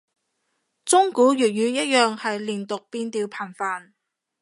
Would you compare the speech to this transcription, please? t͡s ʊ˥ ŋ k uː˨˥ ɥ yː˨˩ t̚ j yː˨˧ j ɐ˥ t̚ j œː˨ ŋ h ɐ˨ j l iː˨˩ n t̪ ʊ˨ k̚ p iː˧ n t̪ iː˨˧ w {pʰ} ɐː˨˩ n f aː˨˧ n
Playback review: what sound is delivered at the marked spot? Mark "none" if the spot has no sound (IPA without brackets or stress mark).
pʰ